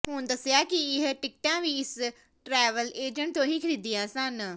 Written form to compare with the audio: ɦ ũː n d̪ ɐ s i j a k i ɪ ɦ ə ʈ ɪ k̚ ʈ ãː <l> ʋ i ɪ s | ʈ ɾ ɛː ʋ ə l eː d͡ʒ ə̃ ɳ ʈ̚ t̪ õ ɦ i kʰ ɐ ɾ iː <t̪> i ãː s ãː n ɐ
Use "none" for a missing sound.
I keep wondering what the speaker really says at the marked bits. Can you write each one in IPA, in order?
none, d̪

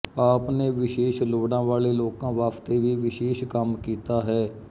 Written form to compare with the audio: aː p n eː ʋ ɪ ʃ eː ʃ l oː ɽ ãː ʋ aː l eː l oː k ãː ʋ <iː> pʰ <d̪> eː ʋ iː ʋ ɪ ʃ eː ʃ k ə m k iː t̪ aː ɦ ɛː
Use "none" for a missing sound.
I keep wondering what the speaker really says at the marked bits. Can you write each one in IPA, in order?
aː, t̪

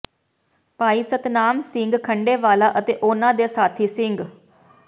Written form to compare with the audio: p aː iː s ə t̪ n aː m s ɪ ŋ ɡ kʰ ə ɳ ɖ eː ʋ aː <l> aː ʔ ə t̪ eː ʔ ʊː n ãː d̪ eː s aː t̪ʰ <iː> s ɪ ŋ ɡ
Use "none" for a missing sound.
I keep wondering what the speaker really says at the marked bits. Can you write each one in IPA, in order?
l, iː

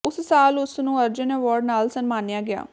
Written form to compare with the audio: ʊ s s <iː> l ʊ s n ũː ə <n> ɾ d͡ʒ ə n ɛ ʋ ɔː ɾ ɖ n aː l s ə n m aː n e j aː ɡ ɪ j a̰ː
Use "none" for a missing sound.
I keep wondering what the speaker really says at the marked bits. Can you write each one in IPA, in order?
aː, none

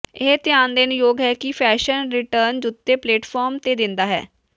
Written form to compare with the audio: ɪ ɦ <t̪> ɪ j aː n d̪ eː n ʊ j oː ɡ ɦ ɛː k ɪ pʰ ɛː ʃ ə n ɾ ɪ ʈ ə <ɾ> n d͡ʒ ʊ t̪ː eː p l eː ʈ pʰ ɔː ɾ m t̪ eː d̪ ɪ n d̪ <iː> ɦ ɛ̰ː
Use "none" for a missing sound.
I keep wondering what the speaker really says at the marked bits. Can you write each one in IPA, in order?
t̪, ɾ, aː

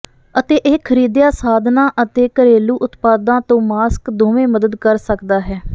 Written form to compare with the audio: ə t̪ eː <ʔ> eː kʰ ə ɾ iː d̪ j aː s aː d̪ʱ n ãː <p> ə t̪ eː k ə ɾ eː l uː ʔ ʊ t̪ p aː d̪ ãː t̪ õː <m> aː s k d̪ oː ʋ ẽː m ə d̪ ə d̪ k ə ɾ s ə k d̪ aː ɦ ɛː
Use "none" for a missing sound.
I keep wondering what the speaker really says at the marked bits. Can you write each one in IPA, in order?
ʔ, ʔ, m

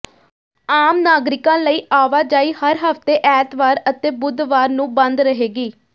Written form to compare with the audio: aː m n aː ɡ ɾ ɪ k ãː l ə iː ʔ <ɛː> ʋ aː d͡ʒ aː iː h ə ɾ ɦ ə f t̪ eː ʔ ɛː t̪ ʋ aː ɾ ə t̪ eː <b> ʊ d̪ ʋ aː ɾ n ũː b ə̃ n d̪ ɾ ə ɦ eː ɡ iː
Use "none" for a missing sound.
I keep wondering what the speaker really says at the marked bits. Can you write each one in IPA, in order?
aː, b

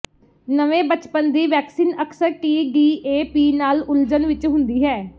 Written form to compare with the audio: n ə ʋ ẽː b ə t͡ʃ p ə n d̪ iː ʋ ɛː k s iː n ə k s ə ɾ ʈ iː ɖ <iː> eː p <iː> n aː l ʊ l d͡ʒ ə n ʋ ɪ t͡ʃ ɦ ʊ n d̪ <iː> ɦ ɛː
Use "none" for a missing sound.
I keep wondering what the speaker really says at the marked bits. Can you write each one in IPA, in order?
iː, iː, iː

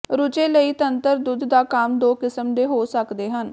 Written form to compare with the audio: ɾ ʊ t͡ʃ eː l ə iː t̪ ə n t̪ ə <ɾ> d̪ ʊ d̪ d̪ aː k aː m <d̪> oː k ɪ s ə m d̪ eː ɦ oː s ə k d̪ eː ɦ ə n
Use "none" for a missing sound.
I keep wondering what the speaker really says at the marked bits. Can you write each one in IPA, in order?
ɾ, d̪

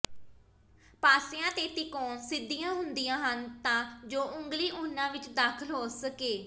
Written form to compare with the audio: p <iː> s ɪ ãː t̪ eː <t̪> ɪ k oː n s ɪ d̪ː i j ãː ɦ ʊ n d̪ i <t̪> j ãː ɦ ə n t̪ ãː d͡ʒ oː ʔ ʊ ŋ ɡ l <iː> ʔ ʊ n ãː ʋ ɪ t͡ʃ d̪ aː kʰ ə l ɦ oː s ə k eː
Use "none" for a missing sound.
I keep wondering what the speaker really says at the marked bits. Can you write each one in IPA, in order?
aː, t̪, none, iː

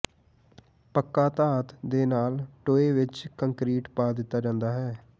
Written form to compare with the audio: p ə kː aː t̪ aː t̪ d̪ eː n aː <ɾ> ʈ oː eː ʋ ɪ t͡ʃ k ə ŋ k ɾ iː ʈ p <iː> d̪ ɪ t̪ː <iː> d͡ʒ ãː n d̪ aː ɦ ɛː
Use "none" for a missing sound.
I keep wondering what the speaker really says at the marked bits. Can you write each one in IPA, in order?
l, aː, aː

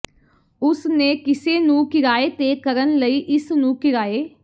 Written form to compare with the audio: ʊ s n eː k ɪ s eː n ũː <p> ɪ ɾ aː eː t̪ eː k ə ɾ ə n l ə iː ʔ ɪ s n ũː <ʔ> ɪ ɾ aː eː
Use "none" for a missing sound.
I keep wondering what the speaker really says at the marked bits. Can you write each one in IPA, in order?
k, k

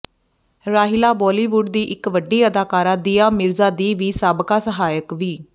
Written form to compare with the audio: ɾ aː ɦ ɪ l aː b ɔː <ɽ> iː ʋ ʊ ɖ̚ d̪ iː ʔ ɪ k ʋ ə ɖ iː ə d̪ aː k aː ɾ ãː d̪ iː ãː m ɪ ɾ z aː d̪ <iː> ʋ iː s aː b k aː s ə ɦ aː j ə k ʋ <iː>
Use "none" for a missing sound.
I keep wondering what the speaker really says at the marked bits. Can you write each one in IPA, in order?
l, iː, iː

